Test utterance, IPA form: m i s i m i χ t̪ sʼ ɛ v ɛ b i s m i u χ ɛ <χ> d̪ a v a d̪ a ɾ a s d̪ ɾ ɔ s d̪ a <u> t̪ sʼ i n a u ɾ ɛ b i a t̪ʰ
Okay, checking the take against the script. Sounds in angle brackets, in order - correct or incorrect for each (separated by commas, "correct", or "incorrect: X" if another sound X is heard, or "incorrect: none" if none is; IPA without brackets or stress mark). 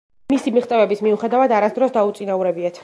incorrect: none, correct